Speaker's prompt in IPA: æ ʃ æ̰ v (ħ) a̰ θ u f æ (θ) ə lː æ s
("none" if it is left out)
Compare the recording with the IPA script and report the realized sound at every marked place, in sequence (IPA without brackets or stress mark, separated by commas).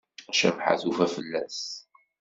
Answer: ħ, f